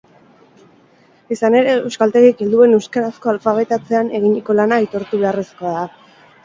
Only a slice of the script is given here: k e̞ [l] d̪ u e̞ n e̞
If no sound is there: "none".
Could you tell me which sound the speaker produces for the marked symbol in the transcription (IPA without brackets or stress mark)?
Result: l